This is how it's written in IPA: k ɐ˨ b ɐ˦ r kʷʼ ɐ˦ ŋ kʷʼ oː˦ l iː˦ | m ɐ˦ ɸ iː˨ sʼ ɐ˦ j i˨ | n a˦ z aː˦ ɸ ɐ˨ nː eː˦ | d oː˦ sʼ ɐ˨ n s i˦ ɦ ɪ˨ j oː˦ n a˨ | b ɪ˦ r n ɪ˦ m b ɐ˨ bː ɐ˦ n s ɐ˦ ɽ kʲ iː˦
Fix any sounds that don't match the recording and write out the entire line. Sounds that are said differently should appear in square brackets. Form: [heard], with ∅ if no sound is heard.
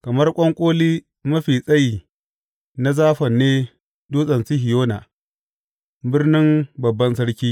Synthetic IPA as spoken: k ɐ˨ [m] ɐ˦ r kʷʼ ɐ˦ ŋ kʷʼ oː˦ l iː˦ | m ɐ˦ ɸ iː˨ sʼ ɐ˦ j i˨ | n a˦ z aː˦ ɸ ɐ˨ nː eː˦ | d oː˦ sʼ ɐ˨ n s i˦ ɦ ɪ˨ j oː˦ n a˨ | b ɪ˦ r n ɪ˦ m b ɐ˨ bː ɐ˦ n s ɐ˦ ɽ kʲ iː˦